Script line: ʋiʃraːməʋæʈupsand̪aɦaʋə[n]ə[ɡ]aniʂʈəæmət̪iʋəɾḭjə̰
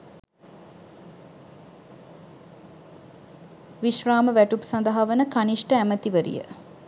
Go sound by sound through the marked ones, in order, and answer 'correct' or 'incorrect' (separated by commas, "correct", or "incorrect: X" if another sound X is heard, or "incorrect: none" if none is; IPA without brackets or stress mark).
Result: correct, incorrect: k